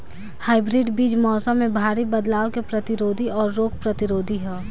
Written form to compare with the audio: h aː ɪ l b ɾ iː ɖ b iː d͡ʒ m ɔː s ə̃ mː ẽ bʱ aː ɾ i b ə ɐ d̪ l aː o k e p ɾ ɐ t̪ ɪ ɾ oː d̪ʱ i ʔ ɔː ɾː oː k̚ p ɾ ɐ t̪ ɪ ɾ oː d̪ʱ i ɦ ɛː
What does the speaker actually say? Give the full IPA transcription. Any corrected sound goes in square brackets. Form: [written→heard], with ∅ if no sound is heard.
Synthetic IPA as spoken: h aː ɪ [l→∅] b ɾ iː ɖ b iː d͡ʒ m ɔː s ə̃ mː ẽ bʱ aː ɾ i b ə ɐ d̪ l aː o k e p ɾ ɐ t̪ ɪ ɾ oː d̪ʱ i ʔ ɔː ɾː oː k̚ p ɾ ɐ t̪ ɪ ɾ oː d̪ʱ i ɦ ɛː